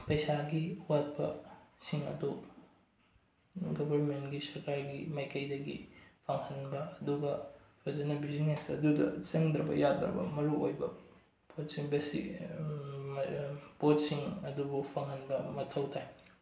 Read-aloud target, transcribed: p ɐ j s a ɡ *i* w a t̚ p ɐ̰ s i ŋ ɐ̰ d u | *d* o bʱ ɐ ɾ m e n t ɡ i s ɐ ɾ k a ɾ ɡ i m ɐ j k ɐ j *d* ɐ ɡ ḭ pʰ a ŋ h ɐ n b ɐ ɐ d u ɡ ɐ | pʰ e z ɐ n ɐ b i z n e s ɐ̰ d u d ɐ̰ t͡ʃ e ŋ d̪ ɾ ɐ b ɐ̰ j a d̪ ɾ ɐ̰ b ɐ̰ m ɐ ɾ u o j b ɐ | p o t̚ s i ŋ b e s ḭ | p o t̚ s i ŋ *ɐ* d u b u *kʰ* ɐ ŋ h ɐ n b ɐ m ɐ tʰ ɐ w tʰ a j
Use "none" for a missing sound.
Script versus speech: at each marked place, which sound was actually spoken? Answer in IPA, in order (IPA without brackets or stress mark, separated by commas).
i, ɡ, d, ɐ, pʰ